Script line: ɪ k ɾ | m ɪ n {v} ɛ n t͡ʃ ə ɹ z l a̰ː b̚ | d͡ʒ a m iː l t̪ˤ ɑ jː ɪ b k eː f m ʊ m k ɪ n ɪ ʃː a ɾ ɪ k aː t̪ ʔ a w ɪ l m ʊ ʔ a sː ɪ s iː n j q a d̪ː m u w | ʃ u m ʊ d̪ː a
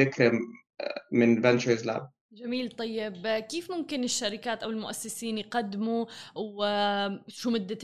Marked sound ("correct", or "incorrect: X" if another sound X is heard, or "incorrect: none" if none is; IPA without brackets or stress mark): correct